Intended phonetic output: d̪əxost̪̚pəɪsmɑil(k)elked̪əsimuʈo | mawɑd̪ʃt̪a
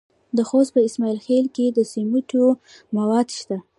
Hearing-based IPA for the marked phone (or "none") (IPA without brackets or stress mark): x